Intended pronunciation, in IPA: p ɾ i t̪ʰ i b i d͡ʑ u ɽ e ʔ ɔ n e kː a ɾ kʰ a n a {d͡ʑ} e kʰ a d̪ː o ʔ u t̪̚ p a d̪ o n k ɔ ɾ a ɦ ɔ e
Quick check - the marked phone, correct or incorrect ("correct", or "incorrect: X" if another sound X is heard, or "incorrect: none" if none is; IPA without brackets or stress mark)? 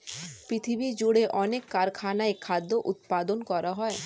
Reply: incorrect: none